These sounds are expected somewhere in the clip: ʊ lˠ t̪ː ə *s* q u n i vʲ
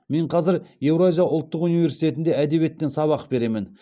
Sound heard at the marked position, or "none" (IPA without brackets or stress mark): none